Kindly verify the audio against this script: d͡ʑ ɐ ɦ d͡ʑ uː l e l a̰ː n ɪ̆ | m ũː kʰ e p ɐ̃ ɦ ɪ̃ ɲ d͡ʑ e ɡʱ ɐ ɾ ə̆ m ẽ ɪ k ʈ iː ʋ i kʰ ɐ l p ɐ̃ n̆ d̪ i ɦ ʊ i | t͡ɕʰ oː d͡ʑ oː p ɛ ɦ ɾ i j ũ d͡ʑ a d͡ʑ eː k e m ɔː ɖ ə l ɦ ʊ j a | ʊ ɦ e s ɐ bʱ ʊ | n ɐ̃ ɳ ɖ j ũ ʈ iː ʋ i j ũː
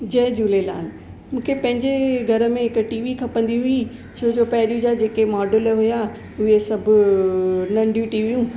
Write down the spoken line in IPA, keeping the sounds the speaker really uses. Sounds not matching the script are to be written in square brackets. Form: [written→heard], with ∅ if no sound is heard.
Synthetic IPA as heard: d͡ʑ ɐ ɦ d͡ʑ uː l e l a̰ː n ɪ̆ | m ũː kʰ e p ɐ̃ ɦ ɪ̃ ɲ d͡ʑ e ɡʱ ɐ ɾ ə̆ m ẽ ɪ k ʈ iː ʋ i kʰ ɐ [l→∅] p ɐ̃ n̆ d̪ i ɦ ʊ i | t͡ɕʰ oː d͡ʑ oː p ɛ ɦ ɾ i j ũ d͡ʑ a d͡ʑ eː k e m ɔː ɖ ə l ɦ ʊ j a | ʊ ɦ e s ɐ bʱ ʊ | n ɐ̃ ɳ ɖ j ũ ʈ iː ʋ i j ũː

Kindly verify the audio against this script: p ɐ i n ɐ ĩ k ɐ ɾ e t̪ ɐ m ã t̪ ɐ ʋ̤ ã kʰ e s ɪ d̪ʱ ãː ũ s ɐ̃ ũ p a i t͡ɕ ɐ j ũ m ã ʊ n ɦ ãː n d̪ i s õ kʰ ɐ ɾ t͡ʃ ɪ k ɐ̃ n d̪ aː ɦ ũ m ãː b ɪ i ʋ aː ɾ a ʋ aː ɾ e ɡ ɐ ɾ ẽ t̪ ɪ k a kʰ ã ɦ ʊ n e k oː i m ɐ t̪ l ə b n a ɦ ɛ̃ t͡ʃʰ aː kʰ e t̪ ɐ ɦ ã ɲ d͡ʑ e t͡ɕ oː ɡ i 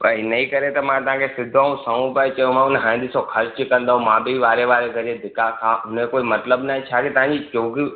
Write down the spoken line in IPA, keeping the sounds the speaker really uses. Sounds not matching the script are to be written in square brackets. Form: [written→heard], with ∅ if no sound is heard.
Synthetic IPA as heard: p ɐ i n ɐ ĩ k ɐ ɾ e t̪ ɐ m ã t̪ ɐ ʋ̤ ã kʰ e s ɪ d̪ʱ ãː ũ s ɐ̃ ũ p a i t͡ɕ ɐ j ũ m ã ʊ n ɦ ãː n d̪ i s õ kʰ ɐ ɾ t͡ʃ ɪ k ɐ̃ n d̪ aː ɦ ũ m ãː b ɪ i ʋ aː ɾ [a→e] ʋ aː ɾ e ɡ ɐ ɾ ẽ [t̪→d̪] ɪ k a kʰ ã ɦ ʊ n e k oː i m ɐ t̪ l ə b n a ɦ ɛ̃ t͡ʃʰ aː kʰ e t̪ ɐ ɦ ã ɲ d͡ʑ [e→i] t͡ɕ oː ɡ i

